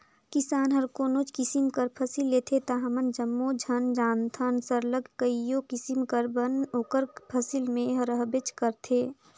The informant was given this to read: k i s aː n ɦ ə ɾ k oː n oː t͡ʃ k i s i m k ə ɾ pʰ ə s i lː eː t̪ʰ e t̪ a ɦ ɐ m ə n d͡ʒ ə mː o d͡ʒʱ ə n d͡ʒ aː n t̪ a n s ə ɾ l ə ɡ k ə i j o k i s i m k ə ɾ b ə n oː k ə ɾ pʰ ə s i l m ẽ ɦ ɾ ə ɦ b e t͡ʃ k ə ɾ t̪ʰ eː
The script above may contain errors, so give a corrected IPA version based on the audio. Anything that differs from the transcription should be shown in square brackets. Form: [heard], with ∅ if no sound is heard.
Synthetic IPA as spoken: k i s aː n ɦ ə ɾ k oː n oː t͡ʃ k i s i m k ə ɾ pʰ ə s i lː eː t̪ʰ e t̪ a ɦ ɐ m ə n d͡ʒ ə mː o d͡ʒʱ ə n d͡ʒ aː n [t̪ʰ] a n s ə ɾ l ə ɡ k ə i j o k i s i m k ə ɾ b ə n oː k ə ɾ pʰ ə s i l m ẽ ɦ ɾ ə ɦ b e t͡ʃ k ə ɾ t̪ʰ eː